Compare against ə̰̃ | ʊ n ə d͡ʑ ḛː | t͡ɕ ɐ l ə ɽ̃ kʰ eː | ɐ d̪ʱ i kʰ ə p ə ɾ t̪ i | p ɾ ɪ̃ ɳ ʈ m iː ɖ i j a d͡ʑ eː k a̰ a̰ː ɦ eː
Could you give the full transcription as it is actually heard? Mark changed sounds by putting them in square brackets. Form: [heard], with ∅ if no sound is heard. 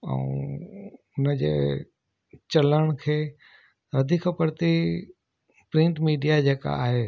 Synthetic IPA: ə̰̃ | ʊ n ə d͡ʑ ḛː | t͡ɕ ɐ l ə ɽ̃ kʰ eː | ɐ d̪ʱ i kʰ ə p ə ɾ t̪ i | p ɾ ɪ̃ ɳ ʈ m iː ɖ i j a d͡ʑ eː k a̰ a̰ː ɦ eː

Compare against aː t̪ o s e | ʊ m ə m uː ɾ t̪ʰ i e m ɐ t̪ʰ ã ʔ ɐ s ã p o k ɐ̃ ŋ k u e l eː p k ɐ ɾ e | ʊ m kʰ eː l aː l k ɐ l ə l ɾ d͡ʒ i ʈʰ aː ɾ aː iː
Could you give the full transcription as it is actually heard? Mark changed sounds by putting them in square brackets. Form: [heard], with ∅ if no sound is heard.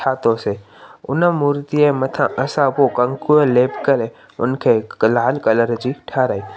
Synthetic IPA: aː t̪ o s e | ʊ [n] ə m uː ɾ [t̪] i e m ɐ t̪ʰ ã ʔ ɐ s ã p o k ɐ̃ ŋ k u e l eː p k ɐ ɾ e | ʊ [n] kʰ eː l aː l k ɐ l ə [∅] ɾ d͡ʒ i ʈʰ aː ɾ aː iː

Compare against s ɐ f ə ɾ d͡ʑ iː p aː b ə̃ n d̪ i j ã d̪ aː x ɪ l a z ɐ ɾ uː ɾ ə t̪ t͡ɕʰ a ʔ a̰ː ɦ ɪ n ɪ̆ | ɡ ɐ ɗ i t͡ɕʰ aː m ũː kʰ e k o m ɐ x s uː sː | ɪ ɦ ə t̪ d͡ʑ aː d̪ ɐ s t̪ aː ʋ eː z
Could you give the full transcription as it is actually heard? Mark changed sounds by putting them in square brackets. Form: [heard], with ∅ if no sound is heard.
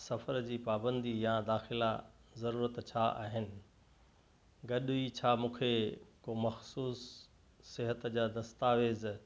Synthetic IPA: s ɐ f ə ɾ d͡ʑ iː p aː b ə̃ n d̪ i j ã d̪ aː x ɪ l a z ɐ ɾ uː ɾ ə t̪ t͡ɕʰ a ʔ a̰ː ɦ ɪ n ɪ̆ | ɡ ɐ ɗ i t͡ɕʰ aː m ũː kʰ e k o m ɐ x s uː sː | ɪ ɦ ə t̪ d͡ʑ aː d̪ ɐ s t̪ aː ʋ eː z

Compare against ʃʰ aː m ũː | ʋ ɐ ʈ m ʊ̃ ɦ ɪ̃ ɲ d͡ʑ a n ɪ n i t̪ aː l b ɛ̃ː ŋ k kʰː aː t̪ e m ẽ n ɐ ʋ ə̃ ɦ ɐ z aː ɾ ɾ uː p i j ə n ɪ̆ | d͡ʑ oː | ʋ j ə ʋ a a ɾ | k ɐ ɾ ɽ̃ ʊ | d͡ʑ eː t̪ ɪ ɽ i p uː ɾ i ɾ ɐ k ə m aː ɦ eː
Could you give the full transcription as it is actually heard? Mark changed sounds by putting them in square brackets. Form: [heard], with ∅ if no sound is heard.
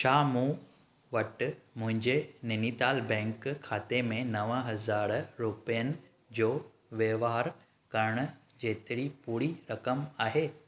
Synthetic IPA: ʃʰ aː m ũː | ʋ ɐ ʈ m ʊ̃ ɦ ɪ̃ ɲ d͡ʑ [e] n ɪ n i t̪ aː l b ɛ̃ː ŋ k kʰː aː t̪ e m ẽ n ɐ ʋ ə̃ ɦ ɐ z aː ɾ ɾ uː p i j ə n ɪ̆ | d͡ʑ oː | ʋ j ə ʋ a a ɾ | k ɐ ɾ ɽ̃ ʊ | d͡ʑ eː t̪ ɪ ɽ i p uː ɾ i ɾ ɐ k ə m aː ɦ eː

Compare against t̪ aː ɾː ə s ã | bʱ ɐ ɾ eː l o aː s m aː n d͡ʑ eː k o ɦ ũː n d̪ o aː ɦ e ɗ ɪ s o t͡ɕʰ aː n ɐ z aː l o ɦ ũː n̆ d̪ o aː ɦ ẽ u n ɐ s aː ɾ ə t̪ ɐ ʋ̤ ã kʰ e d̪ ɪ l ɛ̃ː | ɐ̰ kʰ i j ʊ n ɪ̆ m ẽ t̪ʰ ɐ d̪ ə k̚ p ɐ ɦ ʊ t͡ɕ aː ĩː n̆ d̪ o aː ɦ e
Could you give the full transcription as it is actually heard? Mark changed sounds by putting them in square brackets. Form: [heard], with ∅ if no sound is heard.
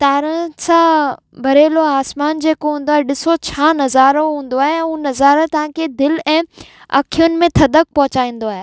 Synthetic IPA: t̪ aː [ɾ] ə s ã | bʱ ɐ ɾ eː l o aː s m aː n d͡ʑ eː k o ɦ ũː n d̪ o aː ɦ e ɗ ɪ s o t͡ɕʰ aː n ɐ z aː [ɾ] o ɦ ũː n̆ d̪ o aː ɦ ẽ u n ɐ [z] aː ɾ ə t̪ ɐ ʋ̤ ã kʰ e d̪ ɪ l ɛ̃ː | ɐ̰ kʰ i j ʊ n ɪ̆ m ẽ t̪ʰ ɐ d̪ ə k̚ p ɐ ɦ ʊ t͡ɕ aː ĩː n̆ d̪ o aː ɦ e

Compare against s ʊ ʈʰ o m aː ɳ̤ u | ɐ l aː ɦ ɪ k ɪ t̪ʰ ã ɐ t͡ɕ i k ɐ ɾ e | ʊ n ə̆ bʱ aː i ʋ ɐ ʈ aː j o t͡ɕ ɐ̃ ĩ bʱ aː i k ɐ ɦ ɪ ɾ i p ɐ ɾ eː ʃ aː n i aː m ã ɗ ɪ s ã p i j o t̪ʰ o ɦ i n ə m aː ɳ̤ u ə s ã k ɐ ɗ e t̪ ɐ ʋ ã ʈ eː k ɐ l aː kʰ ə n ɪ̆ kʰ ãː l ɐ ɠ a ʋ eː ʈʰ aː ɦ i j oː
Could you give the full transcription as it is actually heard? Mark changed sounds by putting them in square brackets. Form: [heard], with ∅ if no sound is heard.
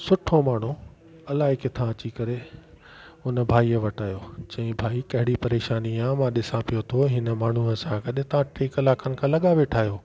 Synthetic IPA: s ʊ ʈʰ o m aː ɳ̤ u | ɐ l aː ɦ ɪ k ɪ t̪ʰ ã ɐ t͡ɕ i k ɐ ɾ e | ʊ n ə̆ bʱ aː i ʋ ɐ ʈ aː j o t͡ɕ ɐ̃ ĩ bʱ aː i k ɐ ɦ ɪ [ɽ] i p ɐ ɾ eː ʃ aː n i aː m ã ɗ ɪ s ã p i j o t̪ʰ o ɦ [ɪ] n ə m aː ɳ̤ u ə s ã k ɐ ɗ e t̪ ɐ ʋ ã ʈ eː k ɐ l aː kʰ ə n ɪ̆ kʰ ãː l ɐ ɠ a ʋ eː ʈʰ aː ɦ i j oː

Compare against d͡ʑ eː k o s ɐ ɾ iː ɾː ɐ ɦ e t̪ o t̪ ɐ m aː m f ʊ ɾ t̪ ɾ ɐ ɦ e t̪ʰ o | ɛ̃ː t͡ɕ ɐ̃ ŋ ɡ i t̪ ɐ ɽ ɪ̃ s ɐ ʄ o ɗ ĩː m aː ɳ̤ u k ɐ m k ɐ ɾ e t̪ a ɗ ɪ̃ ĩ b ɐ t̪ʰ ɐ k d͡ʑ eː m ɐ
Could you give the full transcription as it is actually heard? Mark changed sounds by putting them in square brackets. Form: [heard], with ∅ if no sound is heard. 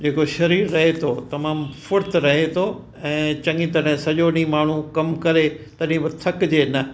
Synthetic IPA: d͡ʑ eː k o [ʃ] ɐ ɾ iː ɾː ɐ ɦ e [t̪ʰ] o t̪ ɐ m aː m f ʊ ɾ t̪ ɾ ɐ ɦ e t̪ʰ o | ɛ̃ː t͡ɕ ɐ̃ ŋ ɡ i t̪ ɐ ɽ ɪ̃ s ɐ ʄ o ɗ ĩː m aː ɳ̤ u k ɐ m k ɐ ɾ e t̪ [ɐ] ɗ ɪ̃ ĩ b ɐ t̪ʰ ɐ k d͡ʑ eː [n] ɐ

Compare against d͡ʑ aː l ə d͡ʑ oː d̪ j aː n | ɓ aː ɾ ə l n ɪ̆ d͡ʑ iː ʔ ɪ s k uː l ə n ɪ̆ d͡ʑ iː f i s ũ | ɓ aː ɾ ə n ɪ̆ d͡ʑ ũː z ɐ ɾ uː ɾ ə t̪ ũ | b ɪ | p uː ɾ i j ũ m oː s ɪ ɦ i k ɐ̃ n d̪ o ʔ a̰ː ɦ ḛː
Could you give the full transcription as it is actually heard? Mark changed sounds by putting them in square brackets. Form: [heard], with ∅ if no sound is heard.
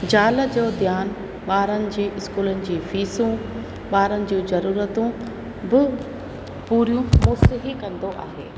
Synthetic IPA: d͡ʑ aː l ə d͡ʑ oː d̪ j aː n | ɓ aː ɾ ə [∅] n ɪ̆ d͡ʑ iː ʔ ɪ s k uː l ə n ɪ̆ d͡ʑ iː f [iː] s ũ | ɓ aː ɾ ə n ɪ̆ d͡ʑ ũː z ɐ ɾ uː ɾ ə t̪ ũ | b ɪ | p uː ɾ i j ũ m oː s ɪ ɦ i k ɐ̃ n d̪ o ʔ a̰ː ɦ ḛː

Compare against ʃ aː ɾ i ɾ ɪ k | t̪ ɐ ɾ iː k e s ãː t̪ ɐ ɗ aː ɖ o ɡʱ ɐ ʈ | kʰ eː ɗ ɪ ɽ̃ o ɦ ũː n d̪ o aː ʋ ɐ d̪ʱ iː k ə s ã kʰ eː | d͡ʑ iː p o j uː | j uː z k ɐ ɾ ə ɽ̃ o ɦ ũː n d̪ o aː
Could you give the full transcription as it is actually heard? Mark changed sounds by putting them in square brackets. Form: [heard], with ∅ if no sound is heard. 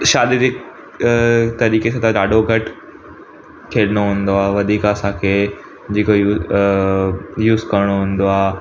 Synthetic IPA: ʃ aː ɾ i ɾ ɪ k | t̪ ɐ ɾ iː k e s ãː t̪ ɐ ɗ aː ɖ o ɡʱ ɐ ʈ | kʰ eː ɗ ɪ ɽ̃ o ɦ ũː n d̪ o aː ʋ ɐ d̪ʱ iː k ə s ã kʰ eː | d͡ʑ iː [k] o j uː | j uː z k ɐ ɾ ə ɽ̃ o ɦ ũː n d̪ o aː

